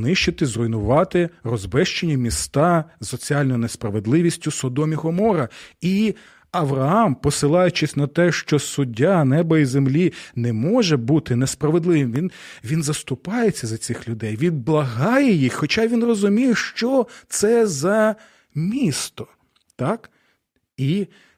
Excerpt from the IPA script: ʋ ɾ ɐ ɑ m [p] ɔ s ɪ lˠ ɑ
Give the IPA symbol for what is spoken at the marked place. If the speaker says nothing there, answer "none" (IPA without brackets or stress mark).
p